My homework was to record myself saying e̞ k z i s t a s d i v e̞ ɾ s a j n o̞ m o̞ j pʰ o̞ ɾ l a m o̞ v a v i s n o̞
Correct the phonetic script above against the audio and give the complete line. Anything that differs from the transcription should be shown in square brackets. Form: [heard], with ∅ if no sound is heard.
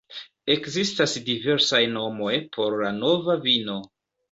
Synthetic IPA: e̞ k z i s t a s d i v e̞ ɾ s a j n o̞ m o̞ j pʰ o̞ ɾ l a [n] o̞ v a v i [∅] n o̞